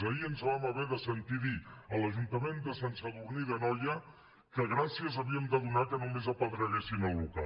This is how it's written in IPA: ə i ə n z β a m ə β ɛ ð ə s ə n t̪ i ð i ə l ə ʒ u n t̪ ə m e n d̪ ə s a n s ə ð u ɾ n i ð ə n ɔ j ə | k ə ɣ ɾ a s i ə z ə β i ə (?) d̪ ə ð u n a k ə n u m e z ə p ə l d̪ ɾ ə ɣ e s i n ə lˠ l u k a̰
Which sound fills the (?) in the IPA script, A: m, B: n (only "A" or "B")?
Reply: A